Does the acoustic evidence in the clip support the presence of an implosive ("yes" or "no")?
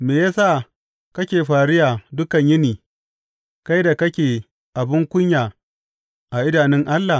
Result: no